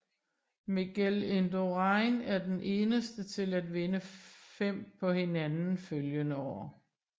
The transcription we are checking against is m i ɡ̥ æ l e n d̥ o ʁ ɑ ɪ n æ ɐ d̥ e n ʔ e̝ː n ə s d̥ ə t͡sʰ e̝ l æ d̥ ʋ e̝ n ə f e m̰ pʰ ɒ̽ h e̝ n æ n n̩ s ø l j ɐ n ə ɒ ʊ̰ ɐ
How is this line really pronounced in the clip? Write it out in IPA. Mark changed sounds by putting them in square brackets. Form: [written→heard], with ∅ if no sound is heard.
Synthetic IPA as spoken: m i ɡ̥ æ l e n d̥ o ʁ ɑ ɪ n æ ɐ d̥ e n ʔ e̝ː n ə s d̥ ə t͡sʰ e̝ l æ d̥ ʋ e̝ n ə f e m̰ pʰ ɒ̽ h e̝ n æ n n̩ [s→f] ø l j [ɐ→ə] n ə ɒ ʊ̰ ɐ